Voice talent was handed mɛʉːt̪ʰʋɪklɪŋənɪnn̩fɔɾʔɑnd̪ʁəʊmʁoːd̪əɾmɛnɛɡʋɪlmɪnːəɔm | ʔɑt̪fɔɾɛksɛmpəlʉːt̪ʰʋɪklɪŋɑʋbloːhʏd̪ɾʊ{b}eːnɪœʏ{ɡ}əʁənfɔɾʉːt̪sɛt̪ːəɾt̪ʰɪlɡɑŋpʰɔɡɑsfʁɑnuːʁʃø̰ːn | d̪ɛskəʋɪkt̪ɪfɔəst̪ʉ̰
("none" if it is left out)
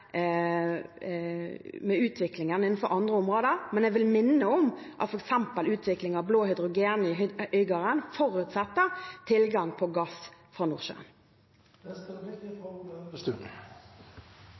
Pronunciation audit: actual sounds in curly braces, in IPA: ɡ, ɡ

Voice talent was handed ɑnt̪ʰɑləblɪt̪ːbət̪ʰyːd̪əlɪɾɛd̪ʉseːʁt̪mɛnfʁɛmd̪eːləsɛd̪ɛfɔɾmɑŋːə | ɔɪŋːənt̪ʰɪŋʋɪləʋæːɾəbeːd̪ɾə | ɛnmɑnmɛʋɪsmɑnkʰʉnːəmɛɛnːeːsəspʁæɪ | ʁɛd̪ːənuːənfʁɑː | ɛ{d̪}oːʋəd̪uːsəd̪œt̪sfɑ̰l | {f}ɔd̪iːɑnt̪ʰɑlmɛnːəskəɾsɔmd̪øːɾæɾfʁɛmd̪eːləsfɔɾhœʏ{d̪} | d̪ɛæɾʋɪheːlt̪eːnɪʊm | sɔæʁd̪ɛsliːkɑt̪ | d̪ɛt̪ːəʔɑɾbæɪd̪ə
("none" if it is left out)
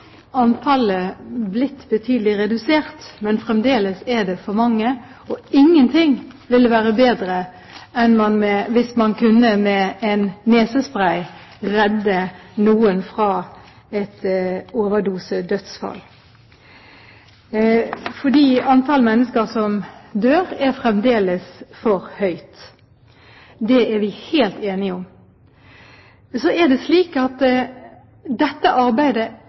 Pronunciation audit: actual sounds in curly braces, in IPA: t̪, f, t̪

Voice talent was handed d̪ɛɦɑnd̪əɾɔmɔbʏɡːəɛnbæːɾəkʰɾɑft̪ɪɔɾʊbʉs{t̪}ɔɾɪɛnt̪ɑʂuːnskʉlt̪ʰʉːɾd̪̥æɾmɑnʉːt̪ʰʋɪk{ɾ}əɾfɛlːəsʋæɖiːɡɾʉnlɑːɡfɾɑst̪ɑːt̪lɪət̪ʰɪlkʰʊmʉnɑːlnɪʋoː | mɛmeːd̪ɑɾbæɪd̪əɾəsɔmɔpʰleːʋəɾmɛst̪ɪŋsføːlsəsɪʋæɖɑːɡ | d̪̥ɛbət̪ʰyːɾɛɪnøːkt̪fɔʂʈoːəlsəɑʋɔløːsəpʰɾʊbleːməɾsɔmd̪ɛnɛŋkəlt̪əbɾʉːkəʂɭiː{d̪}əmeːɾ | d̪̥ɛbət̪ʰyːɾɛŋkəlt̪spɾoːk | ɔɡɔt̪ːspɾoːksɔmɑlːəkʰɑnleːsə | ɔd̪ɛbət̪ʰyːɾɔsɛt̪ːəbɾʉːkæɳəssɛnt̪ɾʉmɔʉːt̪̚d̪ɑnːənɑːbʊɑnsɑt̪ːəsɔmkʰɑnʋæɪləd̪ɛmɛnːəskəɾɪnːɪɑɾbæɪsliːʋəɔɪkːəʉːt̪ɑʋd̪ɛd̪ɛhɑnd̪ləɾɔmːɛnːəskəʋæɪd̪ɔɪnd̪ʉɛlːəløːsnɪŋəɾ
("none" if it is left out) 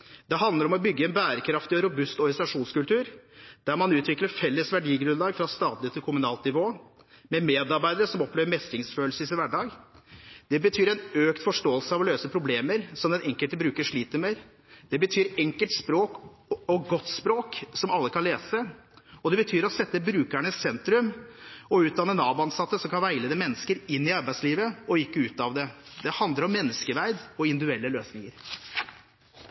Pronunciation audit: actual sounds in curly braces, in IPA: t̪, l, t̪

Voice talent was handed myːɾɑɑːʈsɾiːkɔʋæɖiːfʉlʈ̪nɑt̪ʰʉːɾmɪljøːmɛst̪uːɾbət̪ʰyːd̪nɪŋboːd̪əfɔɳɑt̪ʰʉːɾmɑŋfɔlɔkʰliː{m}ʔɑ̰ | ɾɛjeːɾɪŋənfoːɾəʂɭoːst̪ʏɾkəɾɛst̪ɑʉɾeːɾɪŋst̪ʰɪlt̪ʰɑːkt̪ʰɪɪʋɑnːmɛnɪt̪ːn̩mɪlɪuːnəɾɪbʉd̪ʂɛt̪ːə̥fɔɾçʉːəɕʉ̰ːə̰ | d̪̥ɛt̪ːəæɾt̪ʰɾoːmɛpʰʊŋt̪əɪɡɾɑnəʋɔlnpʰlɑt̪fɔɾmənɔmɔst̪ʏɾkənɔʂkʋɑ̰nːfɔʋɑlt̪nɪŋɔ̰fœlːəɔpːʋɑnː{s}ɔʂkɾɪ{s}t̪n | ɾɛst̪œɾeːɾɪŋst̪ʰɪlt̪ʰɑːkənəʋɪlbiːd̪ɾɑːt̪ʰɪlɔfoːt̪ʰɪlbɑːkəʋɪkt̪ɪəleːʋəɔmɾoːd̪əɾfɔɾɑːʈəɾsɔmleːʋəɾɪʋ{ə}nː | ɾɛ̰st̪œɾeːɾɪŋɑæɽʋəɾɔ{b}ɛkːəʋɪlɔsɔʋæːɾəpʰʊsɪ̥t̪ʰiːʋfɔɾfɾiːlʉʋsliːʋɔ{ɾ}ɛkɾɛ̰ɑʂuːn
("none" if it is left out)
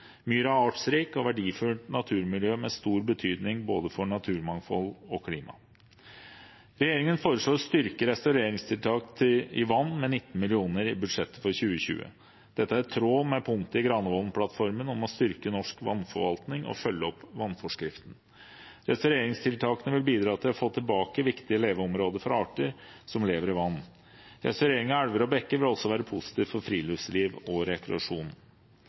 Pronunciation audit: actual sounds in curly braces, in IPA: m, f, f, ɑ, b, ɾ

